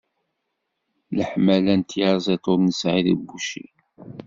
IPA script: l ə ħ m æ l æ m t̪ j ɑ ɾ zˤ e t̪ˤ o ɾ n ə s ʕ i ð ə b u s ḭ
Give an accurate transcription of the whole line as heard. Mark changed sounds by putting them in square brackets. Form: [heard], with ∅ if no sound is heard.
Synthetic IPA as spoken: l ə ħ m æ l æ [n] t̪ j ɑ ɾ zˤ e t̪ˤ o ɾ n ə s ʕ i ð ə b u [ʃ] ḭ